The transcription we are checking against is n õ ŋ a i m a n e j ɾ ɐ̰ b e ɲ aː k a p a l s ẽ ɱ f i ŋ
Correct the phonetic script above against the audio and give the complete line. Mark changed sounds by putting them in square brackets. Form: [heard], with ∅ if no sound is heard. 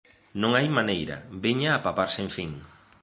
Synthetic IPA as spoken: n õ ŋ a [j] m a n e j ɾ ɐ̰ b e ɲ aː [p] a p a [ɾ] s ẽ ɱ f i ŋ

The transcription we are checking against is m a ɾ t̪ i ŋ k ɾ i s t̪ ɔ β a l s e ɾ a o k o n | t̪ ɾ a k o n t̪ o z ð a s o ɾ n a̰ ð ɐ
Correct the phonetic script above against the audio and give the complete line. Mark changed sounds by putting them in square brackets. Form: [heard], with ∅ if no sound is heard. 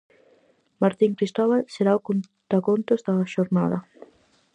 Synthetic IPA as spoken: m a ɾ t̪ i ŋ k ɾ i s t̪ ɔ β a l s e ɾ a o k o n | t̪ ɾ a k o n t̪ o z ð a [ʃ] o ɾ n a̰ ð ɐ

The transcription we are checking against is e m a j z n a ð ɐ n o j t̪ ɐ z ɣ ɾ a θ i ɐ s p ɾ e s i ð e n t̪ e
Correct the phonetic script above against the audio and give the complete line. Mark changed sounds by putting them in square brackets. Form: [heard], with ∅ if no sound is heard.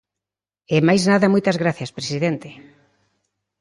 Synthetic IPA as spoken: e m a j z n a ð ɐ [m] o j t̪ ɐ z ɣ ɾ a θ [j] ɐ s p ɾ e s i ð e n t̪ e

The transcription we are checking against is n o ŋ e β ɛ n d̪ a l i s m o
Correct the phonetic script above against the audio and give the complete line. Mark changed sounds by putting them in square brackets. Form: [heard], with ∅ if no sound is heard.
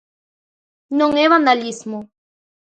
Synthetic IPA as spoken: n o ŋ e β [a] n d̪ a l i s m o

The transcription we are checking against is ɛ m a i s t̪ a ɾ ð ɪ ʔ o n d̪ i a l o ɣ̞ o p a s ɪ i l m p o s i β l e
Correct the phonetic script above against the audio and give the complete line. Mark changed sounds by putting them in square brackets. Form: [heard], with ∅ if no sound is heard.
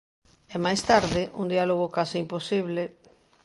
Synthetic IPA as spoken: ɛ m a [j] s t̪ a ɾ ð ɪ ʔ [u] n d̪ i a l o ɣ̞ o [k] a s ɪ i [∅] m p o s i β l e

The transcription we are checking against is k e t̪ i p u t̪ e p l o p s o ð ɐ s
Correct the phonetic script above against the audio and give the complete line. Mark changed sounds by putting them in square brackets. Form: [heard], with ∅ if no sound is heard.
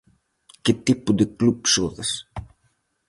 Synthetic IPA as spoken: k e t̪ i p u [d̪] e [k] l [u] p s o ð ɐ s

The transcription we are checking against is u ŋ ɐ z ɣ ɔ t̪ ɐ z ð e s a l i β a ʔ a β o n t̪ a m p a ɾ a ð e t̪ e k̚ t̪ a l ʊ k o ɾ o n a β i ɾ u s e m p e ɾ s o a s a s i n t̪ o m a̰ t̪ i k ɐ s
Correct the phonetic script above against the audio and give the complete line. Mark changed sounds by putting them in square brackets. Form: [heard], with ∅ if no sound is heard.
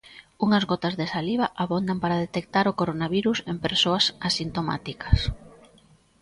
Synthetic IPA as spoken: u ŋ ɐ z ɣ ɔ t̪ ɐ z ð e s a l i β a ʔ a β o n [d̪] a m p a ɾ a ð e t̪ e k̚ t̪ a [ɾ] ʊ k o ɾ o n a β i ɾ u s e m p e ɾ s o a s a s i n t̪ o m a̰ t̪ i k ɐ s

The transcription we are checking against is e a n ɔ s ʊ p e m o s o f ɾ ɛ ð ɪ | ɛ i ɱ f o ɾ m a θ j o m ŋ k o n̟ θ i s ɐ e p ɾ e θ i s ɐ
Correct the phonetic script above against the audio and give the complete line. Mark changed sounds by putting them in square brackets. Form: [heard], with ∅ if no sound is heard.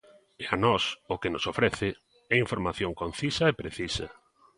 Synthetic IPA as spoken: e a n ɔ s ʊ [k] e [n] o s o f ɾ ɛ [θ] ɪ | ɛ i ɱ f o ɾ m a θ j o [∅] ŋ k o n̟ θ i s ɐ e p ɾ e θ i s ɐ

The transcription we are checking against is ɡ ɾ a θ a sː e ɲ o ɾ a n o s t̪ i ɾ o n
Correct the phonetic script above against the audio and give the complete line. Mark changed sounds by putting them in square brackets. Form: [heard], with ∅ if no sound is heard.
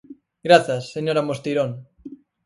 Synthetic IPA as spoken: ɡ ɾ a θ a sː e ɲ o ɾ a [m] o s t̪ i ɾ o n

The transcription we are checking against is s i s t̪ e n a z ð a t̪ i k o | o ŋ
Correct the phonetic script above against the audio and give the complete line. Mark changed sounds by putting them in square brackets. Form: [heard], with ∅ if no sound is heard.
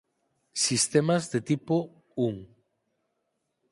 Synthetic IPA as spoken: s i s t̪ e [m] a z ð [e] t̪ i [p] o | [u] ŋ

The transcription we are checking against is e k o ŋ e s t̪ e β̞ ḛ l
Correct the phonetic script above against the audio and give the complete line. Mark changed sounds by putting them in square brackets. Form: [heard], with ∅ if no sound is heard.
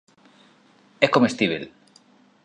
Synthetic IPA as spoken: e k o [m] e s t̪ [i] β̞ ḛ l

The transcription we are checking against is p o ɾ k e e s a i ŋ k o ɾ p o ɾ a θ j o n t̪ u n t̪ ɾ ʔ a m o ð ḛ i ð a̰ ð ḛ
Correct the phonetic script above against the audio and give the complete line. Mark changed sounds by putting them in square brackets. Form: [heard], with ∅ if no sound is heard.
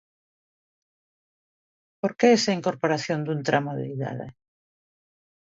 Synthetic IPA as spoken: p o ɾ k e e s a i ŋ k o ɾ p o ɾ a θ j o n [d̪] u n t̪ ɾ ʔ a m o ð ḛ i ð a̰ ð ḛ

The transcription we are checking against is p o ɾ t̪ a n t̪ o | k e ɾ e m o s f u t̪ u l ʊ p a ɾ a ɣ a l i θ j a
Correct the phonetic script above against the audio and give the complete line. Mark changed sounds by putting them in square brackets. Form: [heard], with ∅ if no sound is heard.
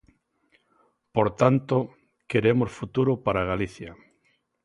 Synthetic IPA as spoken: p o ɾ t̪ a n t̪ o | k e ɾ e m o s f u t̪ u [ɾ] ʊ p a ɾ a ɣ a l i θ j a

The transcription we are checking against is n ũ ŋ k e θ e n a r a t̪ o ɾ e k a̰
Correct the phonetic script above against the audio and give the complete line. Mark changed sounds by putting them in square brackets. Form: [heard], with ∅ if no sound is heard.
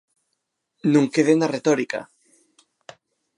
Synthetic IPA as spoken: n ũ ŋ k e [ð] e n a r [e] t̪ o ɾ [i] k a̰

